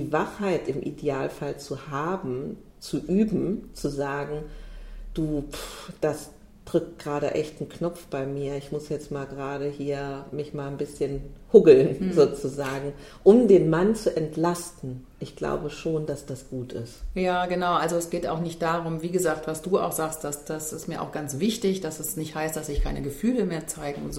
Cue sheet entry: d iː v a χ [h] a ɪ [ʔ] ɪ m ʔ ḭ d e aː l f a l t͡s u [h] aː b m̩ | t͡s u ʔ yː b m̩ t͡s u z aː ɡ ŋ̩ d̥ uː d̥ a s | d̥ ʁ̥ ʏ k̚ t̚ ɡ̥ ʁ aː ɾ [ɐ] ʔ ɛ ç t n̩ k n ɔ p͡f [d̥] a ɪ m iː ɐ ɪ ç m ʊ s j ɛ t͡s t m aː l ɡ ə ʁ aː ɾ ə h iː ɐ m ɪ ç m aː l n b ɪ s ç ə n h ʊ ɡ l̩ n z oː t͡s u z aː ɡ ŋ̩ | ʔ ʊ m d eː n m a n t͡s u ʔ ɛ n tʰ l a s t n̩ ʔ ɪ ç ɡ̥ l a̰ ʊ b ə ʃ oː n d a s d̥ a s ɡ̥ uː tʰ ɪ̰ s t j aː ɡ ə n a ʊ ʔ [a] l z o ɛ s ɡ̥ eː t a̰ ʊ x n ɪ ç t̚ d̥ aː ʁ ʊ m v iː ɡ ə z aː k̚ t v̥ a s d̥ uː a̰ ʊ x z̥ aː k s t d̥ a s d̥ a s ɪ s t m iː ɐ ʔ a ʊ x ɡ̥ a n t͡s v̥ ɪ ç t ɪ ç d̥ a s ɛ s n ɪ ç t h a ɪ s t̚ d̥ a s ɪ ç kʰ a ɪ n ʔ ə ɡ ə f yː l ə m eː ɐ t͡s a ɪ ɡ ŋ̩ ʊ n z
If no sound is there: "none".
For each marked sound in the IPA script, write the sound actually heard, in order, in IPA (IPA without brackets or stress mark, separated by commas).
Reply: h, t, h, ə, b̥, a